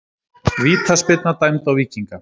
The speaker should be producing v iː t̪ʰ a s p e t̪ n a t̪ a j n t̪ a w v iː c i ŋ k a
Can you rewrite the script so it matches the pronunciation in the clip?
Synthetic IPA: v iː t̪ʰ a s p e t̪ n a t̪ a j m t̪ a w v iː c i ŋ k a